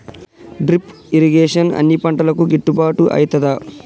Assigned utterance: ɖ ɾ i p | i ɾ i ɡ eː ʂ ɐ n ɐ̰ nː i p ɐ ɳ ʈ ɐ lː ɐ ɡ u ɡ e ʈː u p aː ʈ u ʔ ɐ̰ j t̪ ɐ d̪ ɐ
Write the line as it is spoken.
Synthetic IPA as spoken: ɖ ɾ i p | i ɾ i ɡ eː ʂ ɐ n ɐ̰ nː i p ɐ ɳ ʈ ɐ l ɐ k u ɡ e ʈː u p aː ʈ u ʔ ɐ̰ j t̪ ɐ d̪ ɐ